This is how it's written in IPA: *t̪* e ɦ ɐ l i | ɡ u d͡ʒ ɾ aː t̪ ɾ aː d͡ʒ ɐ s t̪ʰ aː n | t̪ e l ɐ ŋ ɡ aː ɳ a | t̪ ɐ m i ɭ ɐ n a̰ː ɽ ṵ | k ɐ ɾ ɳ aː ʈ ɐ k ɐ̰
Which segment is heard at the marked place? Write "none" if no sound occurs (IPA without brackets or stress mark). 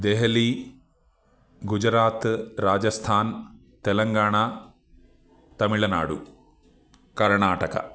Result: d̪